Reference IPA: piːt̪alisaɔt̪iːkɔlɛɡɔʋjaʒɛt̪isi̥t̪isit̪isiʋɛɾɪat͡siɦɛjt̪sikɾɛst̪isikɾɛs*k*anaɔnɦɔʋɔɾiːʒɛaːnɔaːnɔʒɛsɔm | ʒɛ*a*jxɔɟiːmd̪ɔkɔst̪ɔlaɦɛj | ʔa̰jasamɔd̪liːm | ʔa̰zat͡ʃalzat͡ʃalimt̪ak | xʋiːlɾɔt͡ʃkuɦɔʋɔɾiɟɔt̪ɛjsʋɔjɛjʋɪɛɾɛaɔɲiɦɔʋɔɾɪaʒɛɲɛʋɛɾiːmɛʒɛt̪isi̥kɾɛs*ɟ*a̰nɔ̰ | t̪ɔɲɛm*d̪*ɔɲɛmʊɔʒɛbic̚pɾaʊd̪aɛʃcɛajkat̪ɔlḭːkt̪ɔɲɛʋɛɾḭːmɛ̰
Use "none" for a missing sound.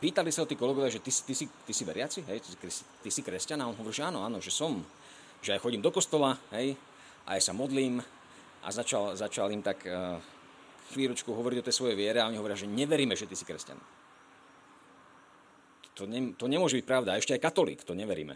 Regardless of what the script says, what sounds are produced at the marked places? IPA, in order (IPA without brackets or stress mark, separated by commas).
c, a, c, t̪